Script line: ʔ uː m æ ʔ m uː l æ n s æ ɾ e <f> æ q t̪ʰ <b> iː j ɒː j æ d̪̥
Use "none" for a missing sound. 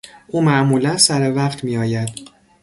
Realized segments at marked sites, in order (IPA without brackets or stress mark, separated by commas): v, m